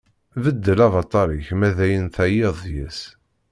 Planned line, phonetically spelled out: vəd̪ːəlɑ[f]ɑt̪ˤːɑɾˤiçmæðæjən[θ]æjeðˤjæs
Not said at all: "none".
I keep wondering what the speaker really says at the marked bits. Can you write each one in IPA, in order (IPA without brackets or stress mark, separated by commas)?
v, θ